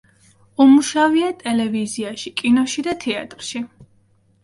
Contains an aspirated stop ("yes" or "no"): yes